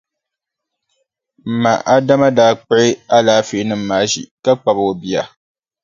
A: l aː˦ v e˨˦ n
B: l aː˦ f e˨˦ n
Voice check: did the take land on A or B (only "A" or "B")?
B